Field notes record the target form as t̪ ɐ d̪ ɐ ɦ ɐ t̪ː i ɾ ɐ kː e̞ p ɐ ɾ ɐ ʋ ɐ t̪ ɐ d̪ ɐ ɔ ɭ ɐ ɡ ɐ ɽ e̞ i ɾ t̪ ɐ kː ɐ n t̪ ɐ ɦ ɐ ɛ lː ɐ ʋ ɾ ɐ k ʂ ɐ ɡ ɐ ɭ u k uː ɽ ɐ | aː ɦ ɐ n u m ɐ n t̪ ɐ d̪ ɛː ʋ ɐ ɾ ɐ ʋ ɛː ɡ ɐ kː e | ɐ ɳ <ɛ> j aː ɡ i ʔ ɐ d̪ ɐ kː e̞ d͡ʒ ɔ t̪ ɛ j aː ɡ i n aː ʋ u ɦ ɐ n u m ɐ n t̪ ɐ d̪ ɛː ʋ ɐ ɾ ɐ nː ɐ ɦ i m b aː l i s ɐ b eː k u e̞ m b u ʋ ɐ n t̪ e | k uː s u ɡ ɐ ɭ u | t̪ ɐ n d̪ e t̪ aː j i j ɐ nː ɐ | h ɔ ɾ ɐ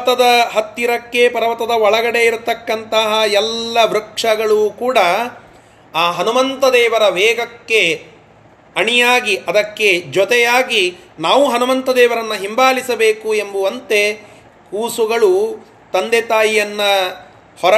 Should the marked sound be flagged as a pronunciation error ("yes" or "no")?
yes